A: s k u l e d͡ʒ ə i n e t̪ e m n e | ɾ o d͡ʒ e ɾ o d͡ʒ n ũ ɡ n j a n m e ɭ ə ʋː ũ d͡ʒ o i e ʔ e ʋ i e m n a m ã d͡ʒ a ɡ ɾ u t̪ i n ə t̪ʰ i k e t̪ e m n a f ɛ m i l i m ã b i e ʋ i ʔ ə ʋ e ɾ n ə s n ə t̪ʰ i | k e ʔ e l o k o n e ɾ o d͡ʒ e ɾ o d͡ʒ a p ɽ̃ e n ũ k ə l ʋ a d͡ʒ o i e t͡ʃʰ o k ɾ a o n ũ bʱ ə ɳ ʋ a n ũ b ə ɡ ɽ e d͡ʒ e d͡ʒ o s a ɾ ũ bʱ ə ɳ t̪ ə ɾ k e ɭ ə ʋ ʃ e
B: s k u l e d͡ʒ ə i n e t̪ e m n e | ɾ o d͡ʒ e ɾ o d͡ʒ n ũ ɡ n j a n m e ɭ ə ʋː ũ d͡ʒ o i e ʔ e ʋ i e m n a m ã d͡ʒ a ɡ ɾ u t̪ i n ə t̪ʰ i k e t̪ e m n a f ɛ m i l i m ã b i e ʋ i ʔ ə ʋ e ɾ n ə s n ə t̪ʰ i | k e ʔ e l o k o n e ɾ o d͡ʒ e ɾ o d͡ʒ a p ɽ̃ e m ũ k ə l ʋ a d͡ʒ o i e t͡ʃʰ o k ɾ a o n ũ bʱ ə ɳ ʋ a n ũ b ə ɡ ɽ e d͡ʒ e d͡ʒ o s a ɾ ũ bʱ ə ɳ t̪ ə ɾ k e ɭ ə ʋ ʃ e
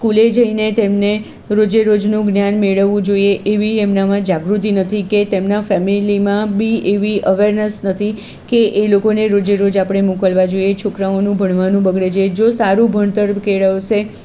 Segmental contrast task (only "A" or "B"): B